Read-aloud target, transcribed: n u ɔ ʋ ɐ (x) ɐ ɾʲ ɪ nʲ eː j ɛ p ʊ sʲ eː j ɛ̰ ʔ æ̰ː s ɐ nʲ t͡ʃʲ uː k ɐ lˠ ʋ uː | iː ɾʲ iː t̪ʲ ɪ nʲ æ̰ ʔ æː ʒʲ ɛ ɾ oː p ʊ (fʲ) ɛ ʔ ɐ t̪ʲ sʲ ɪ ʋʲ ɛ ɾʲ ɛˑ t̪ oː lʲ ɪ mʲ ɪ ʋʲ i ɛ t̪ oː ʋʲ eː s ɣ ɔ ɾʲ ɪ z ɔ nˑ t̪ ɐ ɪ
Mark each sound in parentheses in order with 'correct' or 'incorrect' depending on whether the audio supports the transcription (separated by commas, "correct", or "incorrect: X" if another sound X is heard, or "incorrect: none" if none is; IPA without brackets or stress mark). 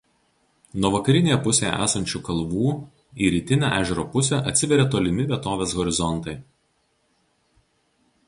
incorrect: k, incorrect: sʲ